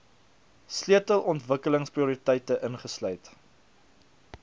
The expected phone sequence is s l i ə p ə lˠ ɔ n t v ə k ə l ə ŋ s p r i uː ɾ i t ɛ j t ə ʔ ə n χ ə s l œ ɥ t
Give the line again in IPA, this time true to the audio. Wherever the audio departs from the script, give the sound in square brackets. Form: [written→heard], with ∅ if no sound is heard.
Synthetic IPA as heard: s l i ə [p→t] ə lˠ ɔ n t v ə k ə l ə ŋ s p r i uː ɾ i t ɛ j t ə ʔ ə n χ ə s l œ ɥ t